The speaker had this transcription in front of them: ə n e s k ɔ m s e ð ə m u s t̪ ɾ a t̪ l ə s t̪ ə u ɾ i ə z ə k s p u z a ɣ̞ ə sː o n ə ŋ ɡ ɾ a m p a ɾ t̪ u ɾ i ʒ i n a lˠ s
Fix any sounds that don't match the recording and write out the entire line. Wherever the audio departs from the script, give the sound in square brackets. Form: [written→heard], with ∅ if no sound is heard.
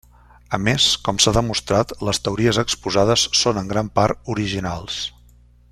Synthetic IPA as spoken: ə [n→m] e s k ɔ m s [e→a] ð ə m u s t̪ ɾ a t̪ l ə s t̪ ə u ɾ i ə z ə k s p u z a [ɣ̞→ð̞] ə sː o n ə ŋ ɡ ɾ a m p a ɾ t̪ u ɾ i ʒ i n a lˠ s